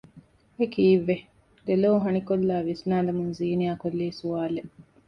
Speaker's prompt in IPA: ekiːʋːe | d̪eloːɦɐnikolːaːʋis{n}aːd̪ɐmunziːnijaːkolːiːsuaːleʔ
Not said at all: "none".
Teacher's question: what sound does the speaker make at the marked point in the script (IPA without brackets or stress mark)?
n